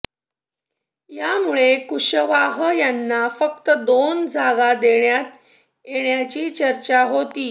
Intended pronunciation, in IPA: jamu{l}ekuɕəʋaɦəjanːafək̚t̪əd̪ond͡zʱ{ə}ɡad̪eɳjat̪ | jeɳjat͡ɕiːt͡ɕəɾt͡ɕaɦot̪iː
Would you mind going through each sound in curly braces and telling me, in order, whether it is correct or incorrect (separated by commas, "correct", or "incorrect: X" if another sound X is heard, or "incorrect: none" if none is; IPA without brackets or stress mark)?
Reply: incorrect: ɭ, incorrect: a